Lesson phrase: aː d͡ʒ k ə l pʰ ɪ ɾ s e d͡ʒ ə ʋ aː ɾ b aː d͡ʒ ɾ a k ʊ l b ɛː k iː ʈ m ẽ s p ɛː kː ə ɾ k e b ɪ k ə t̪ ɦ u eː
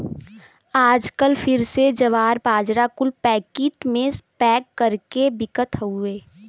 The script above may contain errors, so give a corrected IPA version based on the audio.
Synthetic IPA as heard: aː d͡ʒ k ə l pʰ ɪ ɾ s e d͡ʒ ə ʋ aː ɾ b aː d͡ʒ ɾ a k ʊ l p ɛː k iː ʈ m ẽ s p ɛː kː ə ɾ k e b ɪ k ə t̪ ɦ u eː